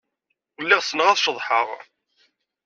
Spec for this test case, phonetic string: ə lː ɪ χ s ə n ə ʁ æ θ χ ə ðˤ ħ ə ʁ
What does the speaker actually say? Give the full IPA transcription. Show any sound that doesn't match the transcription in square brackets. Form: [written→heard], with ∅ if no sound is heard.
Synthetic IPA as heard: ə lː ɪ [χ→ʁ] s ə n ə ʁ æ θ [χ→ʃ] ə ðˤ ħ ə ʁ